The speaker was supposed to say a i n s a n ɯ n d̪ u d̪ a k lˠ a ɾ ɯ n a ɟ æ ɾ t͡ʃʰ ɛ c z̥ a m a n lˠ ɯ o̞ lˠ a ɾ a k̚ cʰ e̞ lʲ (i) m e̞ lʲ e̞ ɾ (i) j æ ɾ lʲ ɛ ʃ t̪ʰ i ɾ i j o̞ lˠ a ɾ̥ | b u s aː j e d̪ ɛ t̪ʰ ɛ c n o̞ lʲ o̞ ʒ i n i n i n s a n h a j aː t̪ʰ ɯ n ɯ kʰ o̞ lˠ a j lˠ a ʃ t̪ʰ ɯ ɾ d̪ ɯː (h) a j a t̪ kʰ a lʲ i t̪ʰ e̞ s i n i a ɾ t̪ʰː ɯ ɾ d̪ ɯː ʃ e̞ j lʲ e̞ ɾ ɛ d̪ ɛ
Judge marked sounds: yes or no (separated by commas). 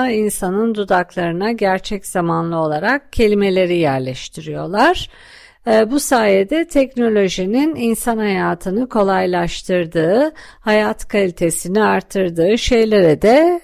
yes, yes, yes